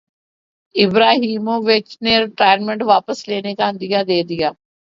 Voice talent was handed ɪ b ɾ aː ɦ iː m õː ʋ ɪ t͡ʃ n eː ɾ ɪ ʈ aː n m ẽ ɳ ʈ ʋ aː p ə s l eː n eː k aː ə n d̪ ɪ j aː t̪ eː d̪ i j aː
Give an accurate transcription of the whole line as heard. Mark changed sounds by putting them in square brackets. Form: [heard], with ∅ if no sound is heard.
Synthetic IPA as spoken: ɪ b ɾ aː ɦ iː m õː ʋ ɪ t͡ʃ n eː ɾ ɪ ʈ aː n m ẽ ɳ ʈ ʋ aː p ə s l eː n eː k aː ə n d̪ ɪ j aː [d̪] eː d̪ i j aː